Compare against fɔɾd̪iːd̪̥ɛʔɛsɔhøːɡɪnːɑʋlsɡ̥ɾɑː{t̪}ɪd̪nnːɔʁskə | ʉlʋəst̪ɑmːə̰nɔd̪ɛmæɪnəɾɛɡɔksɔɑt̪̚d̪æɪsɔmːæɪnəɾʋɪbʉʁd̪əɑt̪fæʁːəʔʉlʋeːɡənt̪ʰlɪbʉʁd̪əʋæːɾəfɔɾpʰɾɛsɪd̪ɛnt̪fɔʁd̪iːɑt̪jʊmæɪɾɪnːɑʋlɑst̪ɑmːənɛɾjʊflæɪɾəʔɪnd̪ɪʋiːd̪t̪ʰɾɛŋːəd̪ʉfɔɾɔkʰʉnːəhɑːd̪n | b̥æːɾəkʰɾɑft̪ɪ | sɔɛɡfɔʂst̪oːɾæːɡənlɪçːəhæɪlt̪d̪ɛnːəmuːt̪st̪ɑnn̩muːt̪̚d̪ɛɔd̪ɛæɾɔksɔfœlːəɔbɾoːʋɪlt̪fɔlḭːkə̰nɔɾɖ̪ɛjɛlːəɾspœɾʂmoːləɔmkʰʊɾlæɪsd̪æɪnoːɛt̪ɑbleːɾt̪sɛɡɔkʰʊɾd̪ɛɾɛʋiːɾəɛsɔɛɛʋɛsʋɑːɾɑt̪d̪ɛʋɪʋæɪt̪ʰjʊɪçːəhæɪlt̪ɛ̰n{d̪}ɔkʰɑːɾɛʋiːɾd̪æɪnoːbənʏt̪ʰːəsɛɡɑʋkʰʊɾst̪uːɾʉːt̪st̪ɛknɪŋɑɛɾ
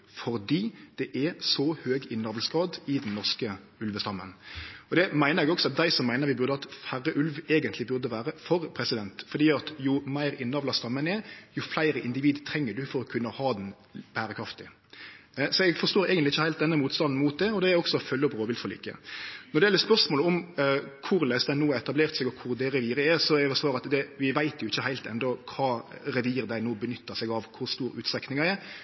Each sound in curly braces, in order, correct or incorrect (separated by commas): incorrect, correct